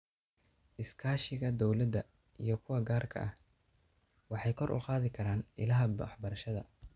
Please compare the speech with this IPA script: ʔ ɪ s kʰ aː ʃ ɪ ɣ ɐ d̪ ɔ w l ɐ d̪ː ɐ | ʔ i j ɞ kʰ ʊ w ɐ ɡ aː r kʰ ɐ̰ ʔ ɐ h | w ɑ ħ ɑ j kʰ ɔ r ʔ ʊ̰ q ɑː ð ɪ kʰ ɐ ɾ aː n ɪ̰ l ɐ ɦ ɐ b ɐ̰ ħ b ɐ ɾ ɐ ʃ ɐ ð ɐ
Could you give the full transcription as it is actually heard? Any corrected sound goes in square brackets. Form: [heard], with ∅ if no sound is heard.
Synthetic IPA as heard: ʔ ɪ s kʰ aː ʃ ɪ ɣ ɐ d̪ ɔ w l ɐ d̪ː ɐ | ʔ i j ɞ kʰ ʊ w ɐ ɡ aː r kʰ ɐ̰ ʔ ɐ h | w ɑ ħ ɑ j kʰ ɔ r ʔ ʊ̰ q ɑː ð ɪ kʰ ɐ ɾ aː n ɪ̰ l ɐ ɦ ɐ b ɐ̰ ħ b ɐ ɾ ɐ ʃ ɐ ð ɐ